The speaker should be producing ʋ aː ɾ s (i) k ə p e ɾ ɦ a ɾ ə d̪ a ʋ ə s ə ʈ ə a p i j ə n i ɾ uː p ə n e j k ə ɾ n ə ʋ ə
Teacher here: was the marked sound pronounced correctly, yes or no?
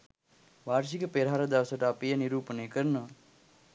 yes